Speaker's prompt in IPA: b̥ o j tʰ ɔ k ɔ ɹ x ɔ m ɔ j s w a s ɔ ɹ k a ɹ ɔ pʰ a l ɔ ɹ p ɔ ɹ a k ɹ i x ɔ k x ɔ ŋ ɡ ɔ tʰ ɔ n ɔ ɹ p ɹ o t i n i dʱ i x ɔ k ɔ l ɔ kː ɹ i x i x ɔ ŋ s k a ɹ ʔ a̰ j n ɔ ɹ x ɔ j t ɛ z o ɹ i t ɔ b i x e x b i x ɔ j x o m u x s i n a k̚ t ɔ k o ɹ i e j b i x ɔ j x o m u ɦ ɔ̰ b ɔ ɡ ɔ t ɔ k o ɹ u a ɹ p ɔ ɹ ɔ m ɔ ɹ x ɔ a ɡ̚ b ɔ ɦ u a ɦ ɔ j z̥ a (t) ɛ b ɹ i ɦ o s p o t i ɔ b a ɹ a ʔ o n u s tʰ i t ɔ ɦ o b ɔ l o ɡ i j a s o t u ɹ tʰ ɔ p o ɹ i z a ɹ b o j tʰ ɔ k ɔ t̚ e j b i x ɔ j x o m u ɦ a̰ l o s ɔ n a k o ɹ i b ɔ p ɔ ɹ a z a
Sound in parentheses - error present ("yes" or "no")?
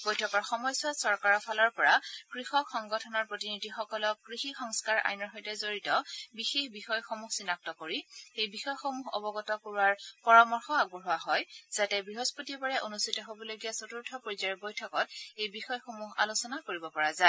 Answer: no